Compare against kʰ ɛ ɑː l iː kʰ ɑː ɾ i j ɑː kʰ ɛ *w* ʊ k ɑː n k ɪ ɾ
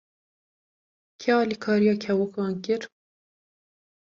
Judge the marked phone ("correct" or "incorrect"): correct